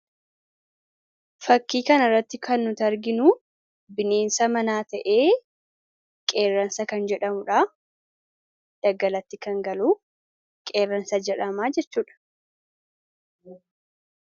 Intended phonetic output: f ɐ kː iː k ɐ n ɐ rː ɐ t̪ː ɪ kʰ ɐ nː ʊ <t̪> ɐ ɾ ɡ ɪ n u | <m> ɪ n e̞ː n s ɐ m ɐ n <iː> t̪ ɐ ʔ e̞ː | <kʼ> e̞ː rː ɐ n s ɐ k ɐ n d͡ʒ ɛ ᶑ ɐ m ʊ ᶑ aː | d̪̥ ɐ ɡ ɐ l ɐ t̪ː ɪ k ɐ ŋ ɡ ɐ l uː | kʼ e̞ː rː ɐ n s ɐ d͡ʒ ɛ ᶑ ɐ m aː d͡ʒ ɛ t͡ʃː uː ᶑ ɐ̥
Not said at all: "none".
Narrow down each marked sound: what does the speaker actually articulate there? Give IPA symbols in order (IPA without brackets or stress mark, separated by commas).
t̪, b, aː, kʼ